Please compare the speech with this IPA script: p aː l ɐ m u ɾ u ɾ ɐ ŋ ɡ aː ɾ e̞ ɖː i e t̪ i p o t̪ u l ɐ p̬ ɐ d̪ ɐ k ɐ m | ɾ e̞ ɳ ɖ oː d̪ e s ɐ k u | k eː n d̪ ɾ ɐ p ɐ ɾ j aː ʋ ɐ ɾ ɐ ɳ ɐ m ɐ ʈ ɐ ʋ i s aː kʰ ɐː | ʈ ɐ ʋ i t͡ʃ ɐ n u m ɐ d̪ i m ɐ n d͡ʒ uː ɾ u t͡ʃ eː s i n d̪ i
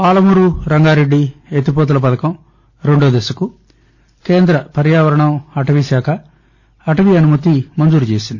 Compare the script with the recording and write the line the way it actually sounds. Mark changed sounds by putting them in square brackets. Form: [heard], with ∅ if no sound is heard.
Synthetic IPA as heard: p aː l ɐ m u ɾ u ɾ ɐ ŋ ɡ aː ɾ e̞ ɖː i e t̪ i p o t̪ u l ɐ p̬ ɐ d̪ ɐ k ɐ m | ɾ e̞ ɳ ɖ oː d̪ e s ɐ k u | k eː n d̪ ɾ ɐ p ɐ ɾ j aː ʋ ɐ ɾ ɐ ɳ ɐ m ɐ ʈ ɐ ʋ i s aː kʰ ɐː | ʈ ɐ ʋ i [∅] ɐ n u m ɐ [t̪] i m ɐ n d͡ʒ uː ɾ u t͡ʃ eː s i n d̪ i